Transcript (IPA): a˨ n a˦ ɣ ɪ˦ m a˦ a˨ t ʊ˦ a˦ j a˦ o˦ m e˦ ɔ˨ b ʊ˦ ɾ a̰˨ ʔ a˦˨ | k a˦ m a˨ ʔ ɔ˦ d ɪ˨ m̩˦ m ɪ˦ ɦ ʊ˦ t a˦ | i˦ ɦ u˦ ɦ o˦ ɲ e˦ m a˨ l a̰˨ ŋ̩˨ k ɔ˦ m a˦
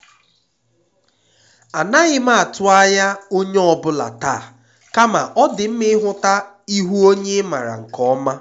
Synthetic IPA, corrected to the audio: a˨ n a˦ ɣ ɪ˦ m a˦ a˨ t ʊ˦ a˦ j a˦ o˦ ɲ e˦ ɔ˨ b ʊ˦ l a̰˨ t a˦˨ | k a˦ m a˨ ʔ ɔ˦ d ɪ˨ m̩˦ m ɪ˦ ɦ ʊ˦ t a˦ | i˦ ɦ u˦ o˦ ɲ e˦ m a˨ ɾ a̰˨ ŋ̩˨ k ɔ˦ m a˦